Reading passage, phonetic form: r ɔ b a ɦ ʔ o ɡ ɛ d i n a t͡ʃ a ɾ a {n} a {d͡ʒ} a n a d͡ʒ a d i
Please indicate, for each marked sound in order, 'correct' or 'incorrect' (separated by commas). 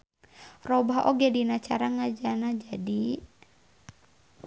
incorrect, correct